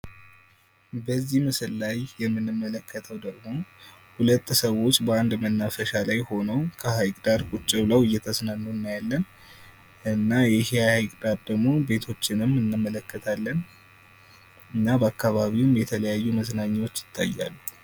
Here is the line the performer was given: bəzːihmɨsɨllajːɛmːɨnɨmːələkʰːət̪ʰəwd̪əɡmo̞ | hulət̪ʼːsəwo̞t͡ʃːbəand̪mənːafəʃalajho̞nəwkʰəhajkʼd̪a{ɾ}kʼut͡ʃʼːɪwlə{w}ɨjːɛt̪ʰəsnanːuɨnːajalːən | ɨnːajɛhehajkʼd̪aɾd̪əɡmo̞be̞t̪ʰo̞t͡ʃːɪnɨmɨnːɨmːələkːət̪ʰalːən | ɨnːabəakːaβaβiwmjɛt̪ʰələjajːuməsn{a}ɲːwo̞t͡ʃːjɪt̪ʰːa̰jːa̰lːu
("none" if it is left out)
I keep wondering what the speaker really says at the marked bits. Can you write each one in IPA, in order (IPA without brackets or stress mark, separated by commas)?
ɾ, w, a